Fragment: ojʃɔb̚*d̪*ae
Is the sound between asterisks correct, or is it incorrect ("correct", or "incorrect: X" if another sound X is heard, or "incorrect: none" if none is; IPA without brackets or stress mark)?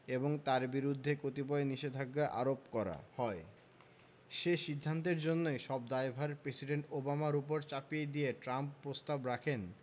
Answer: correct